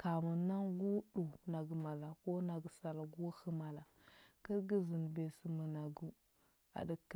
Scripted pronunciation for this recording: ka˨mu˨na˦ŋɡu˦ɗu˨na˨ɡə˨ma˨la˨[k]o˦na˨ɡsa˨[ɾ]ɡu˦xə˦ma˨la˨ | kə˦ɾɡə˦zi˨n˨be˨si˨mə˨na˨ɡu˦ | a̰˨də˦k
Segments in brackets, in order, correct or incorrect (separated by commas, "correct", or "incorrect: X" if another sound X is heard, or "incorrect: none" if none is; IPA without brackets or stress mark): correct, incorrect: l